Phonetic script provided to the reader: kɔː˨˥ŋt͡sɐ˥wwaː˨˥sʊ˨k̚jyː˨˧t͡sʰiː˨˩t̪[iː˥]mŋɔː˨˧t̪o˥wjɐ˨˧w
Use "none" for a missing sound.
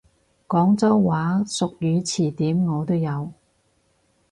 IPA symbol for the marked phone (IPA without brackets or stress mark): iː˨˥